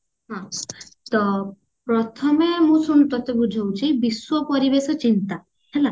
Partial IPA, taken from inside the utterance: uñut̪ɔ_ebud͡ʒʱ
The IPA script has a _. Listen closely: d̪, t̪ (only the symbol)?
t̪